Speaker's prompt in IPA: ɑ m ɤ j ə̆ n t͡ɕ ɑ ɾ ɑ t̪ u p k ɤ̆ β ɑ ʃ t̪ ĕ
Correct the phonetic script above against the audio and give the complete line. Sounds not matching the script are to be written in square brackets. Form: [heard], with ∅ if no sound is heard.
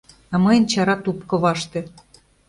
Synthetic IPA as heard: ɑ m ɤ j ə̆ n t͡ɕ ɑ ɾ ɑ t̪ u p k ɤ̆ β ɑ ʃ t̪ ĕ